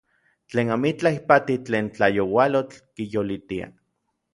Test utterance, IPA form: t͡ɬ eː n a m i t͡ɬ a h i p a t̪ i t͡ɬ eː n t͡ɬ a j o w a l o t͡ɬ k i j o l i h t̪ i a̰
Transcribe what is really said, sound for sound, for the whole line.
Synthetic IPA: t͡ɬ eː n a m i t͡ɬ a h i p a t̪ i t͡ɬ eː n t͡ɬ a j o w a l o t͡ɬ k i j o l i t̪ i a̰